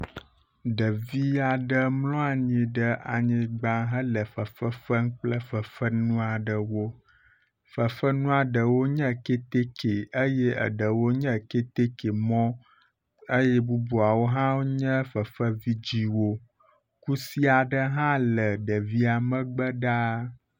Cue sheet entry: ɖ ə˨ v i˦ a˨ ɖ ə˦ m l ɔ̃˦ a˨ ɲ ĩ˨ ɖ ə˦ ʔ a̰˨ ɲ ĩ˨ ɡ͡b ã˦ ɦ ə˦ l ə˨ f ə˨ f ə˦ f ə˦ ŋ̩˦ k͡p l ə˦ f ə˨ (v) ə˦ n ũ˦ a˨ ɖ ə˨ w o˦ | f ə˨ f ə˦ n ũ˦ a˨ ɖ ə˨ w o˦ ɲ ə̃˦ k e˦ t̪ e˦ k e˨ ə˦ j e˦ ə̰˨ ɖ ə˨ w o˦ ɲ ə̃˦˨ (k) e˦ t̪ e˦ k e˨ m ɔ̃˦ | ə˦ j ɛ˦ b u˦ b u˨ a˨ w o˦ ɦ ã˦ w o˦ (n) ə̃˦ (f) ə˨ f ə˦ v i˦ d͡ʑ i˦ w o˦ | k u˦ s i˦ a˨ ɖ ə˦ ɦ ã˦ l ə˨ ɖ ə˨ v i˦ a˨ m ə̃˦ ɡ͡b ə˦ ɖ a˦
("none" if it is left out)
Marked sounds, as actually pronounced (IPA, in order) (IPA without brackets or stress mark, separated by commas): f, k, ɲ, f